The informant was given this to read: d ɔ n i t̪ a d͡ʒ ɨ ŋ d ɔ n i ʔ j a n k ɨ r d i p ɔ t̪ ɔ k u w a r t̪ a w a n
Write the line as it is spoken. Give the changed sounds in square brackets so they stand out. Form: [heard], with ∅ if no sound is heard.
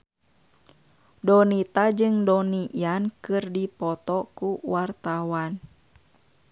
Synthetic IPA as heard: d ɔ n i t̪ a d͡ʒ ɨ ŋ d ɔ n i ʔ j a n k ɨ r d i p ɔ t̪ ɔ k u w a r t̪ a w a n